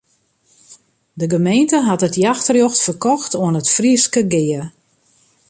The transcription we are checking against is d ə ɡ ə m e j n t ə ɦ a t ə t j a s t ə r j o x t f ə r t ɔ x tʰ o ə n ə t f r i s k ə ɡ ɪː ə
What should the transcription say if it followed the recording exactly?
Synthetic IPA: d ə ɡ ə m e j n t ə ɦ a t ə t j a x t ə r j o x t f ə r k ɔ x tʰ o ə n ə t f r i s k ə ɡ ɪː ə